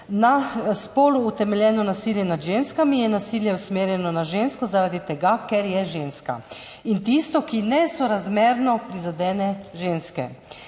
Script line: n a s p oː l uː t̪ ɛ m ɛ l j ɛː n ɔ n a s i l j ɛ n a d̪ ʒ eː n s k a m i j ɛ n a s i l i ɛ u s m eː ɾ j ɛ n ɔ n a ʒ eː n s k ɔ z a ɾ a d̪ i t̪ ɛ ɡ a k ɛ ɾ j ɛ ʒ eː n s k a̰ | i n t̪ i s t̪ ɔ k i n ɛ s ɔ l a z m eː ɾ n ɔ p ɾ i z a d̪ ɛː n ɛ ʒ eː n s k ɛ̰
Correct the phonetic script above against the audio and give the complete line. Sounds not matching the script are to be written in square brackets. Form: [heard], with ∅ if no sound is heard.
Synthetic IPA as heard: n a s p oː l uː t̪ ɛ m ɛ l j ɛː n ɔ n a s i l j ɛ n a d̪ ʒ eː n s k a m i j ɛ n a s i l [j] ɛ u s m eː ɾ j ɛ n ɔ n a ʒ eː n s k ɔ z a ɾ a d̪ i t̪ ɛ ɡ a k ɛ ɾ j ɛ ʒ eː n s k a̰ | i n t̪ i s t̪ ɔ k i n ɛ s ɔ [ɾ] a z m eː ɾ n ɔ p ɾ i z a d̪ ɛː n ɛ ʒ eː n s k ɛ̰